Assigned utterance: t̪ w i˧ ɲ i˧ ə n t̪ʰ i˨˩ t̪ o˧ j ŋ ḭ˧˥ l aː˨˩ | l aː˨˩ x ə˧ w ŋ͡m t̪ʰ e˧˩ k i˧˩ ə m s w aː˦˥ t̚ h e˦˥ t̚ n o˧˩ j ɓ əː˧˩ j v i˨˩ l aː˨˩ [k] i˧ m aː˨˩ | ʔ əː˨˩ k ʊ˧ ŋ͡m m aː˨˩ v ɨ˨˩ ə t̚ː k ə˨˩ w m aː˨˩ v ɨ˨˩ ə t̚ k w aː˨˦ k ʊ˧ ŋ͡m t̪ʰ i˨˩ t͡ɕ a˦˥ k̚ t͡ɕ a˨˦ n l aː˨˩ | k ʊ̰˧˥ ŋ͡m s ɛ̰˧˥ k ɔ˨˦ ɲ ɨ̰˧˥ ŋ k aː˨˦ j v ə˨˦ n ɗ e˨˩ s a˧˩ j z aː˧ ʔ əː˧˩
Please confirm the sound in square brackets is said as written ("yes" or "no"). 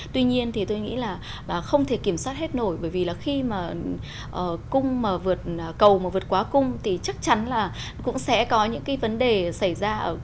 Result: no